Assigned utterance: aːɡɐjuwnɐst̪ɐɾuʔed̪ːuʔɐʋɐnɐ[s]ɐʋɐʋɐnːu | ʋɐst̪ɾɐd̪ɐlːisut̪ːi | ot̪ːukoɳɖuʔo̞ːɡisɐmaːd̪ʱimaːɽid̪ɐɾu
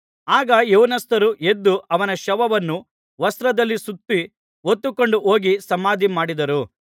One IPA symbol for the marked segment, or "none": ʃ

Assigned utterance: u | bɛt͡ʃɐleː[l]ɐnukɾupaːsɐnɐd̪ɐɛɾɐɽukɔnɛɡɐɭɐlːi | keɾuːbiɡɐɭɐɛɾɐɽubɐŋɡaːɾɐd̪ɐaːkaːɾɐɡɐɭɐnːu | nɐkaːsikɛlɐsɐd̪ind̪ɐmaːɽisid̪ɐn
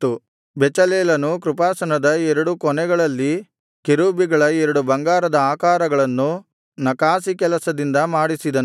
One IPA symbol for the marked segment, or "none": l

